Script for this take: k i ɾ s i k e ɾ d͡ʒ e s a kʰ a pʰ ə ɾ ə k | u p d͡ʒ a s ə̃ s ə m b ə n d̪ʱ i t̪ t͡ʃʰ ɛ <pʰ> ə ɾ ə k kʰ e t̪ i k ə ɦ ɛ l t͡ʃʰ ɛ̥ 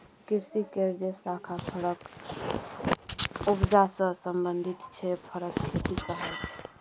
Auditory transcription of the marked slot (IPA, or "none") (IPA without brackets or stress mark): pʰ